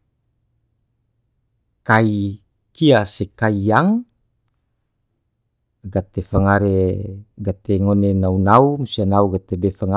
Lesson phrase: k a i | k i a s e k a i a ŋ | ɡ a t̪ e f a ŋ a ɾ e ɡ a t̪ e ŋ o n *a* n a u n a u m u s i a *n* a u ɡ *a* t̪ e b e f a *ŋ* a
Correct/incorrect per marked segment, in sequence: incorrect, correct, correct, correct

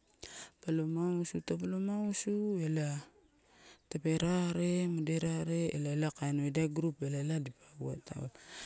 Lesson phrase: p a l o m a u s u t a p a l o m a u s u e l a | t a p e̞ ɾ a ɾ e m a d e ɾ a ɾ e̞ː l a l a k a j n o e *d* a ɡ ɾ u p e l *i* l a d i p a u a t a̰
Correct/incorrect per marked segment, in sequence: correct, incorrect

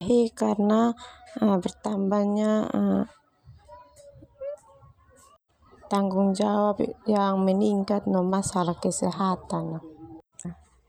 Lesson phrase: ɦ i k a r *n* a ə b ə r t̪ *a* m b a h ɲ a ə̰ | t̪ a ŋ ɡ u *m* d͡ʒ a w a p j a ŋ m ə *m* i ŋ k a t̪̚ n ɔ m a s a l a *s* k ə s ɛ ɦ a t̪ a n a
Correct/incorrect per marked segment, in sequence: correct, correct, incorrect, incorrect, incorrect

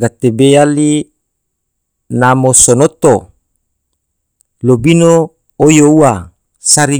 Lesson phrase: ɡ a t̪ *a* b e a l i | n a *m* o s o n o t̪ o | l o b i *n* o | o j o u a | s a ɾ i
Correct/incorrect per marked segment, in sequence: incorrect, correct, correct

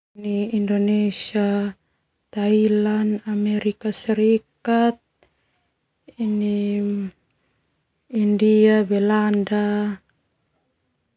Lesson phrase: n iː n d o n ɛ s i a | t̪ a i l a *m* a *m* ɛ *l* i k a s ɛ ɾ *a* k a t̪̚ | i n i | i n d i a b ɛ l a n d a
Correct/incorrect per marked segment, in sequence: incorrect, correct, incorrect, incorrect

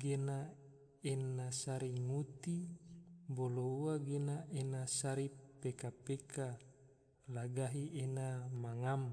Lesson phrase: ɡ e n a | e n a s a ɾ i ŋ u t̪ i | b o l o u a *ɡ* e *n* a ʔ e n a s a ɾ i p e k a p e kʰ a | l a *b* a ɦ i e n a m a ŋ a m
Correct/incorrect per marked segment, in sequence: correct, correct, incorrect

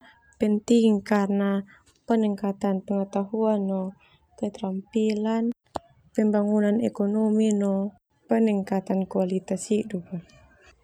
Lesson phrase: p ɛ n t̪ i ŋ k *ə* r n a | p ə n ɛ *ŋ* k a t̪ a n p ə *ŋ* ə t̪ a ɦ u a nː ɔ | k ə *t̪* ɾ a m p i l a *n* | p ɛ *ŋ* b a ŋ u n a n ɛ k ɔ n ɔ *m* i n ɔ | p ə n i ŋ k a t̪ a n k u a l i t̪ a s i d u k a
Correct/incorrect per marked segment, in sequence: incorrect, correct, correct, correct, correct, incorrect, correct

